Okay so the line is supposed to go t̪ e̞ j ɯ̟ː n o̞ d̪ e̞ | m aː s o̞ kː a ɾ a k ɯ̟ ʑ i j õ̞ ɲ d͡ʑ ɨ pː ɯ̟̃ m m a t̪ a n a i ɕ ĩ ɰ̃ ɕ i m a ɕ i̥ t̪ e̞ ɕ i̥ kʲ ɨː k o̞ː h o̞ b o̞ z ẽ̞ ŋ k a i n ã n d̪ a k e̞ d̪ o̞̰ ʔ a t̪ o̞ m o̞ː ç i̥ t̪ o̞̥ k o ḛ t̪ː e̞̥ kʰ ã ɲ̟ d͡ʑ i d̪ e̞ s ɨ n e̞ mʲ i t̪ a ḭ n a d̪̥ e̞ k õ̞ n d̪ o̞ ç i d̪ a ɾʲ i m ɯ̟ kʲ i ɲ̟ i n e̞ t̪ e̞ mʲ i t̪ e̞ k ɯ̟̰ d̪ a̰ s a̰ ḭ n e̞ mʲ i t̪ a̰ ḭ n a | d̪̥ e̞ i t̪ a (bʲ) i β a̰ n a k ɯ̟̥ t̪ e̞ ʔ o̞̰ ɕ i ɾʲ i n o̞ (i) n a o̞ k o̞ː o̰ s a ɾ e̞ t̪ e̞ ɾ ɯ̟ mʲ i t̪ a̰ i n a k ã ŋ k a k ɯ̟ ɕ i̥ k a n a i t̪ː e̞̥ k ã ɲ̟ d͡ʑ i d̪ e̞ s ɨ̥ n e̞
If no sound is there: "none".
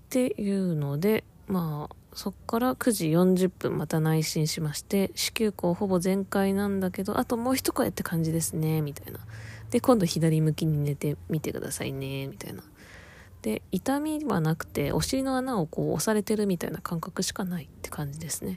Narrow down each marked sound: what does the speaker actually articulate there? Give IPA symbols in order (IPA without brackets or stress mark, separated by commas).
mʲ, a